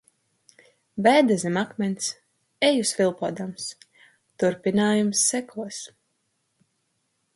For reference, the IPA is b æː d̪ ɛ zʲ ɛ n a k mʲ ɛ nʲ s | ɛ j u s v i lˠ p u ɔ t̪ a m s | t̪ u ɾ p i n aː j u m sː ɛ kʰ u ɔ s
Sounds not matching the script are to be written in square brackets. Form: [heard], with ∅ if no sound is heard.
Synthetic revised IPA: b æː d̪ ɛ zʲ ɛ [m] a k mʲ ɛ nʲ s | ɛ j u s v i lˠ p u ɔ [d̪] a m s | t̪ u ɾ p i n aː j u m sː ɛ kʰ u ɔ s